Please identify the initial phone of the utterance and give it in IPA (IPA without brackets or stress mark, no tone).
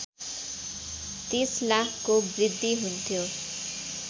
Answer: t̪